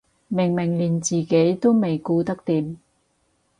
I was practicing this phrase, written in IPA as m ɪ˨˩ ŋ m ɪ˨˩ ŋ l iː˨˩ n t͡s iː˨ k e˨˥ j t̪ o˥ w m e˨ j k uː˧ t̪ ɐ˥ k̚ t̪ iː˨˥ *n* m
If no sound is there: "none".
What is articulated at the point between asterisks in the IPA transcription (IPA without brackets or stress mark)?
none